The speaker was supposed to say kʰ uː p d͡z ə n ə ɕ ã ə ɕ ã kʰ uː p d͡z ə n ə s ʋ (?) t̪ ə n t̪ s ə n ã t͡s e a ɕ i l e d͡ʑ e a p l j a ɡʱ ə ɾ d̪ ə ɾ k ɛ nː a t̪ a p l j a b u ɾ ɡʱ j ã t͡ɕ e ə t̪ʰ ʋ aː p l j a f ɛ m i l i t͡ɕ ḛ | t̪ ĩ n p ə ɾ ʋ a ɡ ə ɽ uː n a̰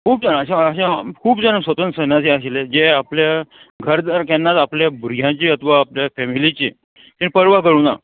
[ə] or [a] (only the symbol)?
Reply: ə